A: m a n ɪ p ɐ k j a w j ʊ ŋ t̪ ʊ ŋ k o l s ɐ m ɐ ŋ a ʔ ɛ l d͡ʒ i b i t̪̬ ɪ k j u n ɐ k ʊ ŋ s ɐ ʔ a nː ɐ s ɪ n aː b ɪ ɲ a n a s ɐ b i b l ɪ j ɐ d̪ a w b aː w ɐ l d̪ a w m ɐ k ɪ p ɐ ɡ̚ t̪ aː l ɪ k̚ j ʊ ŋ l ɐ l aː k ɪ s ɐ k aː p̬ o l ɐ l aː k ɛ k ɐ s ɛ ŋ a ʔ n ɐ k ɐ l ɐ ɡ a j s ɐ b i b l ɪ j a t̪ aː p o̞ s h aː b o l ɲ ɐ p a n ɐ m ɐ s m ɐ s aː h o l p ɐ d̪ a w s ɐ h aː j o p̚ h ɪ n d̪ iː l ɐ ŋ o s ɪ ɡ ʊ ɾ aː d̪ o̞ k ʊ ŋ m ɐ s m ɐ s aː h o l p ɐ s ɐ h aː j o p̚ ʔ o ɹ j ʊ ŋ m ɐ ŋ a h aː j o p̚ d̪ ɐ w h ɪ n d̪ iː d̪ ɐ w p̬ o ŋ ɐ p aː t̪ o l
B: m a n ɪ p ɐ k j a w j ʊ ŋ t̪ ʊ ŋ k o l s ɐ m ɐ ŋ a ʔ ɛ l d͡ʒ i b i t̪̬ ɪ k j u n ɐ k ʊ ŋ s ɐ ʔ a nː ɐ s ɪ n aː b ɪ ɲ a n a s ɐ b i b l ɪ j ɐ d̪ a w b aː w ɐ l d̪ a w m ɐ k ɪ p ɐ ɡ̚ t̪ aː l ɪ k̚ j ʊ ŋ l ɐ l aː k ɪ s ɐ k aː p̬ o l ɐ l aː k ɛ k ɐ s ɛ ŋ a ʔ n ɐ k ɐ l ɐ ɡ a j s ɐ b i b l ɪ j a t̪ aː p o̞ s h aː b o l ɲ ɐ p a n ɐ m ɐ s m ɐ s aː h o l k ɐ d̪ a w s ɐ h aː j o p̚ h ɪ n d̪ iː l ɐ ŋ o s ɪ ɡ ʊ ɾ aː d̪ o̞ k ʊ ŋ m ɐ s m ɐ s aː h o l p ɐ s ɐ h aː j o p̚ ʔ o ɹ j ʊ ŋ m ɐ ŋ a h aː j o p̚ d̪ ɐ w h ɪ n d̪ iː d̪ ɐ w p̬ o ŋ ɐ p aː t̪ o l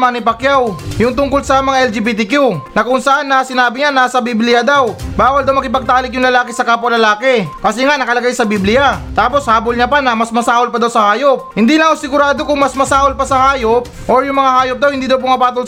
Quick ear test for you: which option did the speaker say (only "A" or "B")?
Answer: A